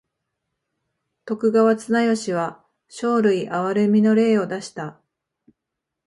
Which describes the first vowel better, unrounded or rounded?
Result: rounded